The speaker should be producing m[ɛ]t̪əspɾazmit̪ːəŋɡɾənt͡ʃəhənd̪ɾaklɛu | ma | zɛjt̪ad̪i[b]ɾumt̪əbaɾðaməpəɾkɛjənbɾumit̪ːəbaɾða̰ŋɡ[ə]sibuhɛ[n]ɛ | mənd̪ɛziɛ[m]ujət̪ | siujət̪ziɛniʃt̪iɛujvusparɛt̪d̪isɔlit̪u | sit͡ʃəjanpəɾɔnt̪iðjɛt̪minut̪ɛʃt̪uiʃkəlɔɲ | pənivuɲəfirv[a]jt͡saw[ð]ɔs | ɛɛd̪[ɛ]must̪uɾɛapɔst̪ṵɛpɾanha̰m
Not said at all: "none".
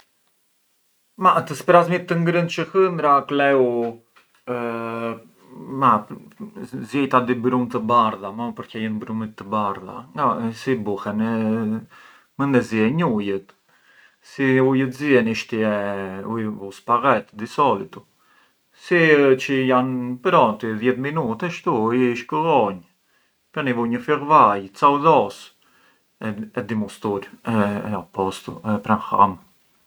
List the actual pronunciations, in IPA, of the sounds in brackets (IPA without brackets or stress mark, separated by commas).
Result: a, b, a, n, ɲ, a, ð, i